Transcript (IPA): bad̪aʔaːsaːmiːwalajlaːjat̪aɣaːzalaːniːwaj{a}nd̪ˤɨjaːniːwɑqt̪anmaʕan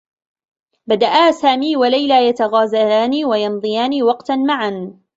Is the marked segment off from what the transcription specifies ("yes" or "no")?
yes